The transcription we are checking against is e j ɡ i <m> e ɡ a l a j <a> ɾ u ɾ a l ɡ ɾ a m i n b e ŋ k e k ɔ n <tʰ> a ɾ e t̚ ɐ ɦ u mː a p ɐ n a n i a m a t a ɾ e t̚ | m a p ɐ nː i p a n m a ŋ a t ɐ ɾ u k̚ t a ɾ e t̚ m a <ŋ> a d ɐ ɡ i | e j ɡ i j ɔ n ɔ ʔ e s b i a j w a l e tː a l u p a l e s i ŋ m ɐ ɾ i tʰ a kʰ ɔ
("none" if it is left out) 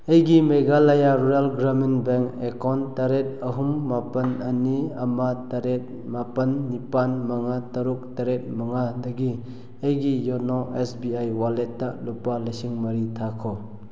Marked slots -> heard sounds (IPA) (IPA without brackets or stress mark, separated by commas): m, a, t, ŋ